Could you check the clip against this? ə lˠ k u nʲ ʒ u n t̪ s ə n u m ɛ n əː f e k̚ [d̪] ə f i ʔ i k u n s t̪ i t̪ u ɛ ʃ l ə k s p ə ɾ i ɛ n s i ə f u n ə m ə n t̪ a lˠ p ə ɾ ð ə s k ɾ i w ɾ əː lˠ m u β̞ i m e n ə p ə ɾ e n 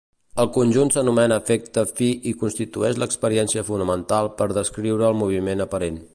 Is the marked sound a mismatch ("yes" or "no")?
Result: yes